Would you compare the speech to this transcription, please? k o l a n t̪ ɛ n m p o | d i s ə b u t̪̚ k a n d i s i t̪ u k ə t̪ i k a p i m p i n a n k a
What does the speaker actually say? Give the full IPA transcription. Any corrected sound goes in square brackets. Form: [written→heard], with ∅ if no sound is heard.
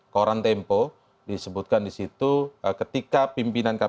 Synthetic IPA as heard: k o [l→ɾ] a n t̪ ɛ [n→∅] m p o | d i s ə b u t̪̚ k a n d i s i t̪ u k ə t̪ i k a p i m p i n a n k a

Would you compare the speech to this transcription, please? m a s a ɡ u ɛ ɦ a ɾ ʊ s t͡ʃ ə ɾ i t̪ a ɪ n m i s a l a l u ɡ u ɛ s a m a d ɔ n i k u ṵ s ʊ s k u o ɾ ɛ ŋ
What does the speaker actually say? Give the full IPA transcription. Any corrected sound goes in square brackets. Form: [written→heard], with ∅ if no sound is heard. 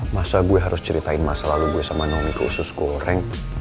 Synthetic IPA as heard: m a s a ɡ u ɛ ɦ a ɾ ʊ s t͡ʃ ə ɾ i t̪ a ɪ n m [i→a] s a l a l u ɡ u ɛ s a m a [d→n] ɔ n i k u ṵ s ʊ s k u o ɾ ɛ ŋ

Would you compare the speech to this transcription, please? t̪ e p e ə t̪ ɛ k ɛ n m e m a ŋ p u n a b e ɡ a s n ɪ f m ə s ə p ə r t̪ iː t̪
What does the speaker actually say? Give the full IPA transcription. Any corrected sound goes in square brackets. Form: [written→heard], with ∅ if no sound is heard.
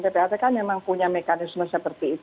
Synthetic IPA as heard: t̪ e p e [ə→a] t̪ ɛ k [ɛ→a] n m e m a ŋ p u [n→ɲ] a [b→m] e [ɡ→k] a [s→∅] n ɪ [f→s] m ə s ə p ə r t̪ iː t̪

